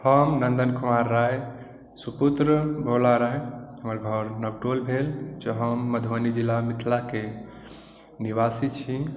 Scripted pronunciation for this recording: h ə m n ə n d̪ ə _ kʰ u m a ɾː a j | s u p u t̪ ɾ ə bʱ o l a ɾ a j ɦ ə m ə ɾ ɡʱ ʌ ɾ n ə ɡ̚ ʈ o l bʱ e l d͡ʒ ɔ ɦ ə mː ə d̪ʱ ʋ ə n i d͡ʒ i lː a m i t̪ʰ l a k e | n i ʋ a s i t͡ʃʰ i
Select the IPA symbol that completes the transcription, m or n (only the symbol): n